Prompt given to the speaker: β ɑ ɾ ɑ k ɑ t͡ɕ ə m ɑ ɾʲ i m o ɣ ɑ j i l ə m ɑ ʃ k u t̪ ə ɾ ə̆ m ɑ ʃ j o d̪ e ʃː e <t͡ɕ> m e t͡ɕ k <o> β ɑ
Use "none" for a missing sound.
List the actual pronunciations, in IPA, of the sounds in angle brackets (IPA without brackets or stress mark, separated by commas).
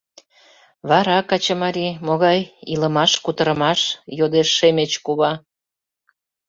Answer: none, u